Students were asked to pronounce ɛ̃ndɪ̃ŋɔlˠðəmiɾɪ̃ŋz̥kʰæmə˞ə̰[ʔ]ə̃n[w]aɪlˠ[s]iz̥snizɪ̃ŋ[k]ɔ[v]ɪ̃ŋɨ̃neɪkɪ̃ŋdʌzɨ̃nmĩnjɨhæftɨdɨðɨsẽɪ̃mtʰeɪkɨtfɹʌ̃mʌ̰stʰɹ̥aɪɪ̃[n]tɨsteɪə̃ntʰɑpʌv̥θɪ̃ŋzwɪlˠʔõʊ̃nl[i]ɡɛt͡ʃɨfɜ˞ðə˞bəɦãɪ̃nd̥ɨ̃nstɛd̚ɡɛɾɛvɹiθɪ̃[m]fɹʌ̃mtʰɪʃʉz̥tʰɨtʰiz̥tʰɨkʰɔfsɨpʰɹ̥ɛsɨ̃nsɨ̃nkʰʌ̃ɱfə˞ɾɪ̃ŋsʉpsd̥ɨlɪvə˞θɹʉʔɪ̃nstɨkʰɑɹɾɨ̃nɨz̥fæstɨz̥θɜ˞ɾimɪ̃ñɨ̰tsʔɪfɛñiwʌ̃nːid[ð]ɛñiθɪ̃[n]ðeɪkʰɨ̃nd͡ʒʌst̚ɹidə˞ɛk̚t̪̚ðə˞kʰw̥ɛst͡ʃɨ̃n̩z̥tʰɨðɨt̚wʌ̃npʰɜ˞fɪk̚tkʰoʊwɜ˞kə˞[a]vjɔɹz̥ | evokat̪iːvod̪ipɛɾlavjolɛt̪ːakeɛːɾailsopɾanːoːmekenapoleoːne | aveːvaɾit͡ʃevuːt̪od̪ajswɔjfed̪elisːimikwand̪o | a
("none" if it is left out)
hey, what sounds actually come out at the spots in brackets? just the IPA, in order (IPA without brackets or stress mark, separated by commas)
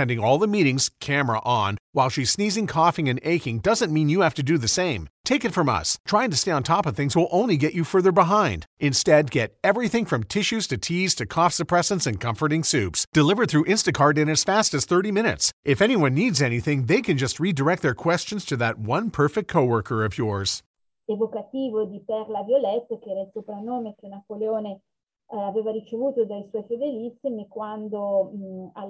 ʔ, w, ʃ, kʰ, f, ŋ, i, ŋ, z, ŋ, ʌ